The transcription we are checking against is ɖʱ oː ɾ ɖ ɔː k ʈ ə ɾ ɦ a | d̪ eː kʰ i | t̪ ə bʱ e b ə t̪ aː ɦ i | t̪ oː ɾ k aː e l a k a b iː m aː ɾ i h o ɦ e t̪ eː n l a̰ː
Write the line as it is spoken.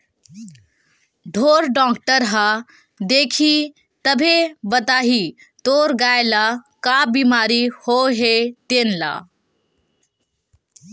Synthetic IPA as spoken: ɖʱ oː ɾ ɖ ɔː k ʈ ə ɾ ɦ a | d̪ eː kʰ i | t̪ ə bʱ e b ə t̪ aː ɦ i | t̪ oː ɾ ɡ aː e l a k a b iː m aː ɾ i h o ɦ e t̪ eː n l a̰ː